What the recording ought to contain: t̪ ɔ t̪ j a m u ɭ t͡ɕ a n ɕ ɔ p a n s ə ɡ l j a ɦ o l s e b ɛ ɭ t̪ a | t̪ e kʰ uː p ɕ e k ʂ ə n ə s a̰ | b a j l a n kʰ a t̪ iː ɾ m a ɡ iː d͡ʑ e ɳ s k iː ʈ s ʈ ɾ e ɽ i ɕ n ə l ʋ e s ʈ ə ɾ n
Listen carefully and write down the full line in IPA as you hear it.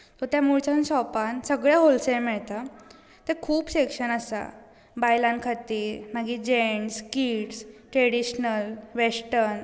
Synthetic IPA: t̪ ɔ t̪ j a m u ɭ t͡ɕ a n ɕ ɔ p a n s ə ɡ ɭ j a ɦ o l s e m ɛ ɭ t̪ a | t̪ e kʰ uː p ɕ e k ʂ ə n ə s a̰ | b a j l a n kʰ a t̪ iː ɾ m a ɡ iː d͡ʑ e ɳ s k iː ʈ s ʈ ɾ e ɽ i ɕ n ə l ʋ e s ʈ ə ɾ n

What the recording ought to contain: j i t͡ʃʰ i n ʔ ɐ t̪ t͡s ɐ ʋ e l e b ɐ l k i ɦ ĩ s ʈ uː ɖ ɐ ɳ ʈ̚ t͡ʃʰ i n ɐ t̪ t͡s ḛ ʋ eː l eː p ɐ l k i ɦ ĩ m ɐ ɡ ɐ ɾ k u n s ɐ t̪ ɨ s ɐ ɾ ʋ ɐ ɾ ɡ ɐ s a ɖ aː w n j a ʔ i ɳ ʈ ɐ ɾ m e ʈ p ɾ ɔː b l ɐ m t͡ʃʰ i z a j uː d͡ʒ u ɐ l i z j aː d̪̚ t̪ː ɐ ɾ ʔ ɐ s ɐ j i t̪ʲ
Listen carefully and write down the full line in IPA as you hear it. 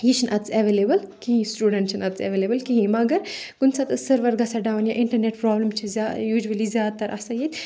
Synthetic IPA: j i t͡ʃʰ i n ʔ ɐ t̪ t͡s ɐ ʋ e l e b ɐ l k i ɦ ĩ s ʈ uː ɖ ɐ ɳ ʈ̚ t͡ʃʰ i n ɐ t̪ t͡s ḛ ʋ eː l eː b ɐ l k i ɦ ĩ m ɐ ɡ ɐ ɾ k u n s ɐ t̪ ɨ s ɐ ɾ ʋ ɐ ɾ ɡ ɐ s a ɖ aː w n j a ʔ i ɳ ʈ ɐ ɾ n e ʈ p ɾ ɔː b l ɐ m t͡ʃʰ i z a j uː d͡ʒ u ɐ l i z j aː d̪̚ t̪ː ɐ ɾ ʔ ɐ s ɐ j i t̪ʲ

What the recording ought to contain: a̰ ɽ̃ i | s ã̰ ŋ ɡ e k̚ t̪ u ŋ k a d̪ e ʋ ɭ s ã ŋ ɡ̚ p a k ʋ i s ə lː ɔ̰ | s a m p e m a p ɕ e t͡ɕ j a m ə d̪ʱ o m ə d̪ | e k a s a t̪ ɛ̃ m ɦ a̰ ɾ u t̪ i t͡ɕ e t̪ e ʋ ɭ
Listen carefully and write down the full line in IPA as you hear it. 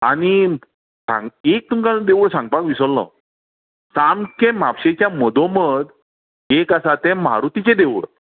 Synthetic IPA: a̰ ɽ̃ i | s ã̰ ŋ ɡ e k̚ t̪ u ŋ k a d̪ e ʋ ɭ s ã ŋ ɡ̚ p a k ʋ i s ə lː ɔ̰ | s a m k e m a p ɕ e t͡ɕ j a m ə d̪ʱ o m ə d̪ | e k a s a t̪ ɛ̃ m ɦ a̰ ɾ u t̪ i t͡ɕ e d̪ e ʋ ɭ

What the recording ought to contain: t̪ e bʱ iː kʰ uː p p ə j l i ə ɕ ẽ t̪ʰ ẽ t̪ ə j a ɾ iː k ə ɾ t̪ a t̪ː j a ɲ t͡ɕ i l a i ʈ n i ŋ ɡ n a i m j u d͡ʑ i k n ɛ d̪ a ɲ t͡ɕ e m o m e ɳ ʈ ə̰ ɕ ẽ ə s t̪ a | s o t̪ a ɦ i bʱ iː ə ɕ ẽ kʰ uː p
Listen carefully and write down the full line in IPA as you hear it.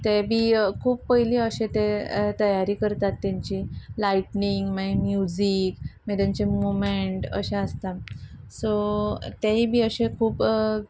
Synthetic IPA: t̪ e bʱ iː kʰ uː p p ə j l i ə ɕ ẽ t̪ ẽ t̪ ə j a ɾ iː k ə ɾ t̪ a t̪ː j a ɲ t͡ɕ i l a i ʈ n i ŋ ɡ m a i m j u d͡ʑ i k m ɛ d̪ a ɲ t͡ɕ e m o m e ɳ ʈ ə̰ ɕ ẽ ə s t̪ a | s o t̪ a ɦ i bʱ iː ə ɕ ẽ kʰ uː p

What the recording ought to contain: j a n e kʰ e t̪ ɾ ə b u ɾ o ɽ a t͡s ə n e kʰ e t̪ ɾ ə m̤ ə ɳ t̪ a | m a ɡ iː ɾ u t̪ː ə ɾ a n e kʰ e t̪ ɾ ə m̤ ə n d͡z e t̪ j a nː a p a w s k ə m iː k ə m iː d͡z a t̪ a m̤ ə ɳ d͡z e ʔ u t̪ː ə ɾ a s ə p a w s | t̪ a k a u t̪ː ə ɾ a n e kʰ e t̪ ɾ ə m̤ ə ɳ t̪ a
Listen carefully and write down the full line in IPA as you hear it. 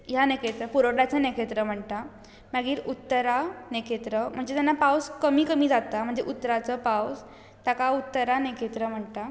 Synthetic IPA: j a n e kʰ e t̪ ɾ ə p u ɾ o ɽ a t͡s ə n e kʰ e t̪ ɾ ə m̤ ə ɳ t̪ a | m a ɡ iː ɾ u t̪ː ə ɾ a n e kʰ e t̪ ɾ ə m̤ ə ɳ d͡z e t̪ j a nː a p a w s k ə m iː k ə m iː d͡z a t̪ a m̤ ə ɳ d͡z e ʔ u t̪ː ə ɾ a t͡s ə p a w s | t̪ a k a u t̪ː ə ɾ a n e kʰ e t̪ ɾ ə m̤ ə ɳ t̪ a

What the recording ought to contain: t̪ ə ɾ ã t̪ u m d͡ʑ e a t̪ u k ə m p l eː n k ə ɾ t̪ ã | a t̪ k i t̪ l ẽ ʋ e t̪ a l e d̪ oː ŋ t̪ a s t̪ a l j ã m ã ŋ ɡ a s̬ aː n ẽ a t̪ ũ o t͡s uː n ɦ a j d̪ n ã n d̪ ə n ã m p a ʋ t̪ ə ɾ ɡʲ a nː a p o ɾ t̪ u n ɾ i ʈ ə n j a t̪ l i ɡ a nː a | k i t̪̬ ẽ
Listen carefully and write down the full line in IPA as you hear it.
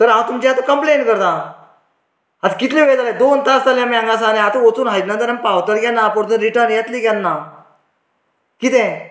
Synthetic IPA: t̪ ə ɾ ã t̪ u m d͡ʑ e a t̪ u k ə m p l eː n k ə ɾ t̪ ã | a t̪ k i t̪ l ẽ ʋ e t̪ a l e d̪ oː n t̪ a s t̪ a l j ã m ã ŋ ɡ a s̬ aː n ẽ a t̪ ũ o t͡s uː n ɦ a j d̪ n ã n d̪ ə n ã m p a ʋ t̪ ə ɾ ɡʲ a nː a p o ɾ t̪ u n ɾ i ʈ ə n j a t̪ l i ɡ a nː a | k i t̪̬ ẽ

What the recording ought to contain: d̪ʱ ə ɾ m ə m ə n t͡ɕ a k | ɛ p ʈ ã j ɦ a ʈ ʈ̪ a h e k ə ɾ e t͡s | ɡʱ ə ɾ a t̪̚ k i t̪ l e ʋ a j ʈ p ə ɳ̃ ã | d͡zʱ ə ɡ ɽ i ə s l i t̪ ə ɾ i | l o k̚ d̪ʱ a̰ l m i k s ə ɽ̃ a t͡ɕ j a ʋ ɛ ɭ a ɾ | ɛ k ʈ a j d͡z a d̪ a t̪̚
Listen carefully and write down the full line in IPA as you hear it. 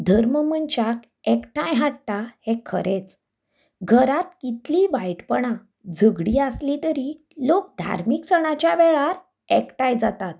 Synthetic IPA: d̪ʱ ə ɾ m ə m ə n t͡ɕ a k | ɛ k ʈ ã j ɦ a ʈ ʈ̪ a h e kʰ ə ɾ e t͡s | ɡʱ ə ɾ a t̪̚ k i t̪ l i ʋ a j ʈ p ə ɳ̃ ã | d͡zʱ ə ɡ ɽ i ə s l i t̪ ə ɾ i | l o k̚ d̪ʱ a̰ ɾ m i k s ə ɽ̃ a t͡ɕ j a ʋ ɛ ɭ a ɾ | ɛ k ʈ a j d͡z a t̪ a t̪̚

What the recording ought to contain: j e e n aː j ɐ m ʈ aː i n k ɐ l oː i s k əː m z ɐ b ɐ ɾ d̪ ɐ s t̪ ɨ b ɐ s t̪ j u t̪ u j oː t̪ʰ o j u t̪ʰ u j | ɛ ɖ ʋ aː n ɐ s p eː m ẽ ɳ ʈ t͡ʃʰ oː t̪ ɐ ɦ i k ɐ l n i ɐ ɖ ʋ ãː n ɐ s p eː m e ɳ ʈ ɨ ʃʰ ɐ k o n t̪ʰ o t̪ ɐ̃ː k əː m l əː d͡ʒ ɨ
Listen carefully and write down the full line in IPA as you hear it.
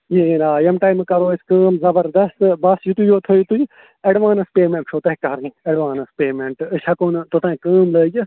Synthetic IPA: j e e n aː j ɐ m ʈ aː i m k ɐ ɾ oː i s k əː m z ɐ b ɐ ɾ d̪ ɐ s t̪ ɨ b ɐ s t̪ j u t̪ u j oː t̪ʰ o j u t̪ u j | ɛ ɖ ʋ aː n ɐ s p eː m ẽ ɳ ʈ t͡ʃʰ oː t̪ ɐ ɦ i k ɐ ɾ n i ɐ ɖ ʋ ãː n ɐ s p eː m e ɳ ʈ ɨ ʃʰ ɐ k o n t̪ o t̪ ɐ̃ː k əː m l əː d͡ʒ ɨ

